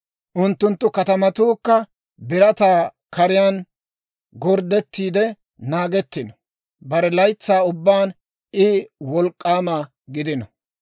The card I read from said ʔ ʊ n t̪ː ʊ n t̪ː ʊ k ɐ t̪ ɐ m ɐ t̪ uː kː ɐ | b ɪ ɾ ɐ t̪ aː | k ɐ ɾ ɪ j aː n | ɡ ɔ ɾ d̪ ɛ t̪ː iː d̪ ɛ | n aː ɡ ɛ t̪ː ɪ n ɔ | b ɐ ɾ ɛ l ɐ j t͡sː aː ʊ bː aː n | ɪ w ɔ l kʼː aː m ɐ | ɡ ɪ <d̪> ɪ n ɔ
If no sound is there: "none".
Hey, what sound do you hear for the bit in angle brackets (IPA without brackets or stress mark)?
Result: d̪